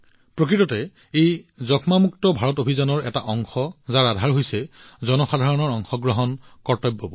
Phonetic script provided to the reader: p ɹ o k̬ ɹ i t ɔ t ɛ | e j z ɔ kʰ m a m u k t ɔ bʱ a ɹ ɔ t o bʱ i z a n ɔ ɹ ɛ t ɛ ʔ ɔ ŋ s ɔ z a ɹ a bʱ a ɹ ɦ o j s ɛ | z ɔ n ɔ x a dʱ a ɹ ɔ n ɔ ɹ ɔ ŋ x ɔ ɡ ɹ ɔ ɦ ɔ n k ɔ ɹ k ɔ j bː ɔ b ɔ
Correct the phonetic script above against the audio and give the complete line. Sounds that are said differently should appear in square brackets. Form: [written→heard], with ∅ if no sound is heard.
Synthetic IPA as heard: p ɹ o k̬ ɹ i t ɔ t ɛ | e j z ɔ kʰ m a m u k t ɔ bʱ a ɹ ɔ t o bʱ i z a n ɔ ɹ ɛ t [ɛ→a] ʔ ɔ ŋ [s→x] ɔ z a ɹ a [bʱ→dʱ] a ɹ ɦ o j s ɛ | z ɔ n ɔ x a dʱ a ɹ ɔ n ɔ ɹ ɔ ŋ x ɔ ɡ ɹ ɔ ɦ ɔ n k ɔ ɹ [k→t] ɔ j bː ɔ b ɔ